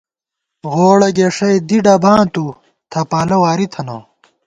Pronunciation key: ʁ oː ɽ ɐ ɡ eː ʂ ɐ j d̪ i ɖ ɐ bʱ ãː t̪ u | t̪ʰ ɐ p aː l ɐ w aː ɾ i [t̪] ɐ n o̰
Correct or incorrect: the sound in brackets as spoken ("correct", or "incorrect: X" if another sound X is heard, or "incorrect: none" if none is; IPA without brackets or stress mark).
incorrect: t̪ʰ